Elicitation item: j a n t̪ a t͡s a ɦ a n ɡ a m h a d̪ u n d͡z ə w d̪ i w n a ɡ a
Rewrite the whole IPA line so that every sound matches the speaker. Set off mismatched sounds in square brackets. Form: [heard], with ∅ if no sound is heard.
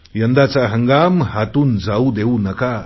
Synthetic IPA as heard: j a n [d̪] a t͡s a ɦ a [ŋ] ɡ a m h a [t̪] u n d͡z [a] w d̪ [e] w n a [k] a